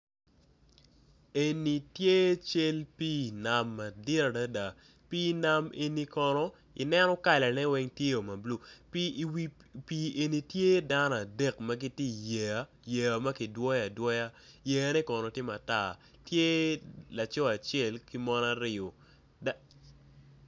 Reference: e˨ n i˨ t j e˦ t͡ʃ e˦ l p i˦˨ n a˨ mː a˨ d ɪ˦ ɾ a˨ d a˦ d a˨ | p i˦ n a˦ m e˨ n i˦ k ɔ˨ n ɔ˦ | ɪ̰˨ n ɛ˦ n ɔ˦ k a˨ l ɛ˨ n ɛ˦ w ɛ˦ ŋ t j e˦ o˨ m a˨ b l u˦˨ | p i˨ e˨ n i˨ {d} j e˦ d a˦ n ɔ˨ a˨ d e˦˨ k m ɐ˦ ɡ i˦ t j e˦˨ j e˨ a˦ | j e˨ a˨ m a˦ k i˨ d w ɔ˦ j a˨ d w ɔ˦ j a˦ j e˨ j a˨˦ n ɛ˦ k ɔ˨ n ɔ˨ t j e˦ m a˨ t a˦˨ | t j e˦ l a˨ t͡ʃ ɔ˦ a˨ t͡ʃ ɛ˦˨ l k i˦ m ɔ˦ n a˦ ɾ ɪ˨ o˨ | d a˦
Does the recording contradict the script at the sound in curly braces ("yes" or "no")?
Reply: yes